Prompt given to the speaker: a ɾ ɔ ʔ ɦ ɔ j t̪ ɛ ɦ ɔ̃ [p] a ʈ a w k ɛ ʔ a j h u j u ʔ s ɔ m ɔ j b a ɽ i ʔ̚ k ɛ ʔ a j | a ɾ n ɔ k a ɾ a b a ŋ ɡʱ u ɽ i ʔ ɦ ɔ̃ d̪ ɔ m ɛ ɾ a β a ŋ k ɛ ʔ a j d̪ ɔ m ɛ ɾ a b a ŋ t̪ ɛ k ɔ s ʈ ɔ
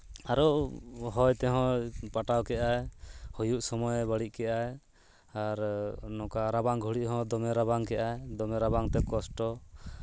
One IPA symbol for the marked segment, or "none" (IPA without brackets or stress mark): p